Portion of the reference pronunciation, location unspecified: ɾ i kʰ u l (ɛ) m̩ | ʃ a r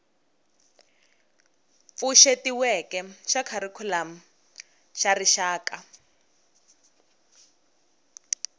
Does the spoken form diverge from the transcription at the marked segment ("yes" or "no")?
yes